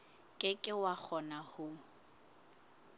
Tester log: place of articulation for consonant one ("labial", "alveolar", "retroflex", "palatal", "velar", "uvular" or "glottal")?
velar